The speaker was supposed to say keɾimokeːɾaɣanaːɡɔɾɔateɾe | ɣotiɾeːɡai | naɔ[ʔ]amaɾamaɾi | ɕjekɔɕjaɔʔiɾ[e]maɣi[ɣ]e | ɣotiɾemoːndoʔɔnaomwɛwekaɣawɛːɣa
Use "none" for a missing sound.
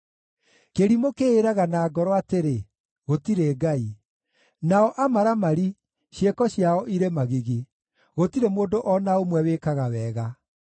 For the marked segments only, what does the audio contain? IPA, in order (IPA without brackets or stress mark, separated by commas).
ʔ, e, ɣ